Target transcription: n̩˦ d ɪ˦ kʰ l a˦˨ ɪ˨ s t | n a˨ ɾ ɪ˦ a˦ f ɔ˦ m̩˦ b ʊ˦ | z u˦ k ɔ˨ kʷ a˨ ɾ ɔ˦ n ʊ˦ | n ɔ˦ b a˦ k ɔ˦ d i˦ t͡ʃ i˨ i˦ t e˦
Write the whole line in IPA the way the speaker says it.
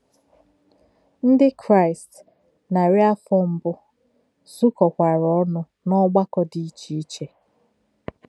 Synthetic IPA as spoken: n̩˦ d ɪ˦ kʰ ɾ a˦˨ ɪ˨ s t | n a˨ ɾ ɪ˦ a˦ f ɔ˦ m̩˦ b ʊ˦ | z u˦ k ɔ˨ kʷ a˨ ɾ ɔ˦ n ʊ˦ | n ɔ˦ ɡ͡b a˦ k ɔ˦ d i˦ t͡ʃ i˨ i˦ t͡ʃ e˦